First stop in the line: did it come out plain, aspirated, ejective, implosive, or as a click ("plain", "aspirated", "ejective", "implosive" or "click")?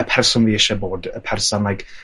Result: aspirated